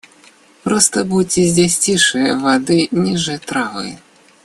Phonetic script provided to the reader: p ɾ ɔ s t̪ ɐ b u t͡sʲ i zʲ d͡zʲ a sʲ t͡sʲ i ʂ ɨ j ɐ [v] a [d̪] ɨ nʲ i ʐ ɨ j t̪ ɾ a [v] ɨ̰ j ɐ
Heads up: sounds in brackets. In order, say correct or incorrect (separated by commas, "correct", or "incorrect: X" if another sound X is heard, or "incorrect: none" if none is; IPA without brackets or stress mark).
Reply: correct, correct, correct